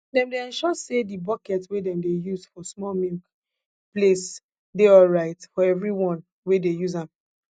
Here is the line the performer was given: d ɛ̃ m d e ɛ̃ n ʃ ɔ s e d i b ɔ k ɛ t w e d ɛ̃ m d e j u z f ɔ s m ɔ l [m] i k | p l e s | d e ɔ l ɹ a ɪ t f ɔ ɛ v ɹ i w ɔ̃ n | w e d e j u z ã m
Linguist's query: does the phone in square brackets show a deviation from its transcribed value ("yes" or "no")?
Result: no